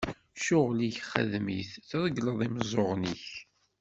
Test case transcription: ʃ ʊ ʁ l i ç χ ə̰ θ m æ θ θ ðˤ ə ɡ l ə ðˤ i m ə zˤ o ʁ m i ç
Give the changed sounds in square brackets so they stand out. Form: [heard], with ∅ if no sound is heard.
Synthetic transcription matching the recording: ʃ ʊ ʁ l i ç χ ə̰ [ð] m [i] θ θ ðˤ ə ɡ l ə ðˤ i m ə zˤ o ʁ [n] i ç